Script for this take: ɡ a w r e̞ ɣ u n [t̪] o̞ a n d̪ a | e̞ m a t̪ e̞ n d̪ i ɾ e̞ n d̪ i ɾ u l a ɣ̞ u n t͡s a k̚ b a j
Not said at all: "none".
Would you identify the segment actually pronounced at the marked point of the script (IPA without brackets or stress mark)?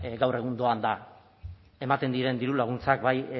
d̪